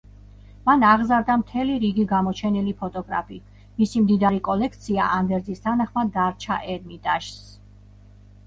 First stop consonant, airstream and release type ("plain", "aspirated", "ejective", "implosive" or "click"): plain